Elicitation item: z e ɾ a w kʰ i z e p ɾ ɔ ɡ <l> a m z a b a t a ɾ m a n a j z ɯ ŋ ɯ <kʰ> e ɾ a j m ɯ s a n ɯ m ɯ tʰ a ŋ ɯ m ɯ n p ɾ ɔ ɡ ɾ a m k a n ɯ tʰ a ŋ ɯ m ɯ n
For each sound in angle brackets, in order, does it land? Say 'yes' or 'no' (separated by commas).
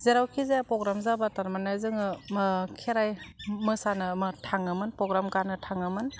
no, yes